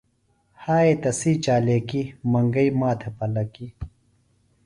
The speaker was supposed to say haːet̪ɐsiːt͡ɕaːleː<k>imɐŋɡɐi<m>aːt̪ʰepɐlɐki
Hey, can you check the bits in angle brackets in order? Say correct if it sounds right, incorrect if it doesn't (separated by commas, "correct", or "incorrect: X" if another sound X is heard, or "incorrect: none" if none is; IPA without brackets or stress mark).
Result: correct, correct